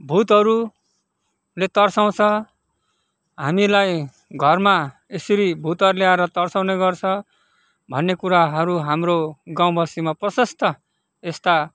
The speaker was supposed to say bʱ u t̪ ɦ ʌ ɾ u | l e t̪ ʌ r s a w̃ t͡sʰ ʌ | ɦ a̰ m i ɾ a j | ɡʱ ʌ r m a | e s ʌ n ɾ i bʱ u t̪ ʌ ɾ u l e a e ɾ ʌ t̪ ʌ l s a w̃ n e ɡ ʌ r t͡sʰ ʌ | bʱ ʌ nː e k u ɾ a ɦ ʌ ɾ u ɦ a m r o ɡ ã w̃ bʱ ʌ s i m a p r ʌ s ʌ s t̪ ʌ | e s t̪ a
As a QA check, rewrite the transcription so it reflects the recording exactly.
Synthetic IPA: bʱ u t̪ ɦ ʌ ɾ u | l e t̪ ʌ r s a w̃ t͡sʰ ʌ | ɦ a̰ m i l a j | ɡʱ ʌ r m a | e s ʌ ɾ i bʱ u t̪ ʌ ɾ u l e a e ɾ ʌ t̪ ʌ r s a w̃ n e ɡ ʌ r t͡sʰ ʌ | bʱ ʌ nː e k u ɾ a ɦ ʌ ɾ u ɦ a m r o ɡ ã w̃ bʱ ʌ s i m a p r ʌ s ʌ s t̪ ʌ | e s t̪ a